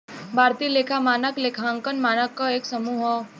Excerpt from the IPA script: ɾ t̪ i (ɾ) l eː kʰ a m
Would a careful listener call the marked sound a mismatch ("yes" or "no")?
yes